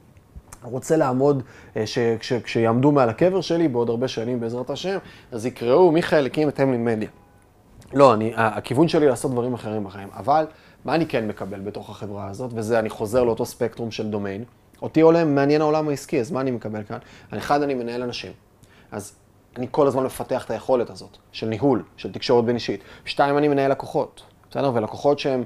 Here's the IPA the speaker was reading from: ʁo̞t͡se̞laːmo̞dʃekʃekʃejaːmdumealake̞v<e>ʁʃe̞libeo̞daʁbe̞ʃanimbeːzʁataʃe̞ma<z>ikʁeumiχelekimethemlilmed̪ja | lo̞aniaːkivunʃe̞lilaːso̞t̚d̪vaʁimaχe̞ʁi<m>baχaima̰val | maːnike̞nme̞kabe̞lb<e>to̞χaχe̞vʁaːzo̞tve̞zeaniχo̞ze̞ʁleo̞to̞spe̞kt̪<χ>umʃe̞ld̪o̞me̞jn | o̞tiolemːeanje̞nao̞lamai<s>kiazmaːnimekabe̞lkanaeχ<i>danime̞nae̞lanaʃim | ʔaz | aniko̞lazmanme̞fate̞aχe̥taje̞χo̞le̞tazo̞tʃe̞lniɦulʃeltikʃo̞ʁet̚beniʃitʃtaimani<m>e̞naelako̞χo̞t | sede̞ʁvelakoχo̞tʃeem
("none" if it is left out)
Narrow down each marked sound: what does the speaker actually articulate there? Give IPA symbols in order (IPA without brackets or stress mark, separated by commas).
e, z, m, e, ʁ, s, a, m